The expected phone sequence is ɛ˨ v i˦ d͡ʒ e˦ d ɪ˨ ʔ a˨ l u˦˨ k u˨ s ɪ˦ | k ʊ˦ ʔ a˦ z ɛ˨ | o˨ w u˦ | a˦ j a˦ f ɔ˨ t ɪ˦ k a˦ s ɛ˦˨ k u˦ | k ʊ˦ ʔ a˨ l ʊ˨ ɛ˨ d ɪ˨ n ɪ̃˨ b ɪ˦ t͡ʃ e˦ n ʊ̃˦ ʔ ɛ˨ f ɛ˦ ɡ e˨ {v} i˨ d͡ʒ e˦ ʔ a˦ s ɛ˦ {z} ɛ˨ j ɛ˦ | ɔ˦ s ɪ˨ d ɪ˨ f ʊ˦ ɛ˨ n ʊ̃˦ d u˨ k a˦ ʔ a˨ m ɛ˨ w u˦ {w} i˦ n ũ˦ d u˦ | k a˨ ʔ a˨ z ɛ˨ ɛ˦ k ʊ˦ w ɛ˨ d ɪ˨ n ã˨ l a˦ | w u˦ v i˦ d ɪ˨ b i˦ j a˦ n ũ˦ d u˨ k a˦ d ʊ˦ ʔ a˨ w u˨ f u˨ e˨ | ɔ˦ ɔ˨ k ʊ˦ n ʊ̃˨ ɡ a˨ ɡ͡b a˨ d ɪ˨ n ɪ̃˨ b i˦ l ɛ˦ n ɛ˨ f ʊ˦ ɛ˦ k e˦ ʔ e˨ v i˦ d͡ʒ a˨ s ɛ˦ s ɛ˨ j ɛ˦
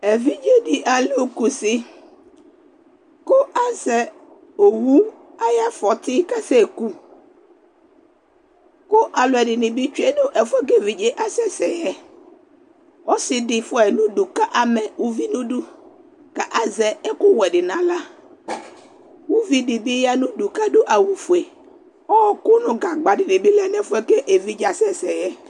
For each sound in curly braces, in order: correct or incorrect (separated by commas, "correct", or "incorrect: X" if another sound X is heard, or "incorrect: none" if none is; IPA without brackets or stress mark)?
correct, incorrect: s, incorrect: v